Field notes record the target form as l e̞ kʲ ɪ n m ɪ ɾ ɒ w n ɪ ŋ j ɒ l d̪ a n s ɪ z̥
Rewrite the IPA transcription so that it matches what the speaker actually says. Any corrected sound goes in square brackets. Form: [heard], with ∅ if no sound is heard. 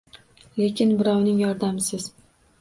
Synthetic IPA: l e̞ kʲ ɪ n [b] ɪ ɾ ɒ w n ɪ ŋ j ɒ [ɾ] d̪ a [m] s ɪ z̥